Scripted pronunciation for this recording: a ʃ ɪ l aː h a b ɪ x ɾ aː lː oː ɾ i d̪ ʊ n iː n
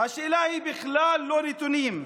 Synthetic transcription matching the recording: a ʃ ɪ l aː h i b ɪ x l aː lː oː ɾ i t̪ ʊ n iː m